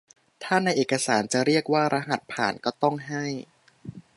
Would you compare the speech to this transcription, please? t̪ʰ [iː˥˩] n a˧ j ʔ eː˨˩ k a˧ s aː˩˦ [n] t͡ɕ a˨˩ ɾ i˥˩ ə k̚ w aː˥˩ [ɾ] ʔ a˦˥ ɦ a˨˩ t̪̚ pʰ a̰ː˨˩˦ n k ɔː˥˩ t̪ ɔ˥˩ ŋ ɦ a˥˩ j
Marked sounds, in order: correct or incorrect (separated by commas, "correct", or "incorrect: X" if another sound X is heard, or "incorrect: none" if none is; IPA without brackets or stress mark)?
incorrect: aː˥˩, correct, correct